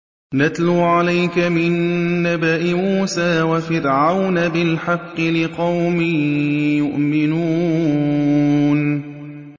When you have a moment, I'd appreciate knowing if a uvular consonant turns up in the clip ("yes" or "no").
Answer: yes